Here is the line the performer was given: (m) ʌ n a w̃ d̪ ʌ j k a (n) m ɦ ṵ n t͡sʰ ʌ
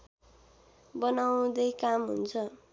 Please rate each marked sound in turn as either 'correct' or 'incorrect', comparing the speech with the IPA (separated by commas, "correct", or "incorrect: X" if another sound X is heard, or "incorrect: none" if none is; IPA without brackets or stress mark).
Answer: incorrect: b, incorrect: none